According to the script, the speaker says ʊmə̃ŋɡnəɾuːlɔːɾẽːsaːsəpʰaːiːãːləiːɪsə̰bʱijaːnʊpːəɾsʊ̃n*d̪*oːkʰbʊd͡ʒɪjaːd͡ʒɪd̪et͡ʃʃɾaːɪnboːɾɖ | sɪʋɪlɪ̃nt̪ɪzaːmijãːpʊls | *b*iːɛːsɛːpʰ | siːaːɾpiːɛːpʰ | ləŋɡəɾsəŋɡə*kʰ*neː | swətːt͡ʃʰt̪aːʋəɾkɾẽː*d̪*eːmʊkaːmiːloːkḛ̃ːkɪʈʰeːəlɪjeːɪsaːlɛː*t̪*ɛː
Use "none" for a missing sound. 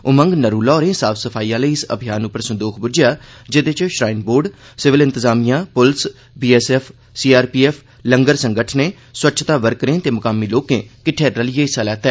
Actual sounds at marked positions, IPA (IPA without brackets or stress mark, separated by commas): d̪, b, ʈʰ, t̪, t̪